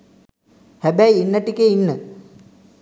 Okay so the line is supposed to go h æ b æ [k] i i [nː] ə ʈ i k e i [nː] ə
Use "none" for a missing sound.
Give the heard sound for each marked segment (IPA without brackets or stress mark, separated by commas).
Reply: none, nː, nː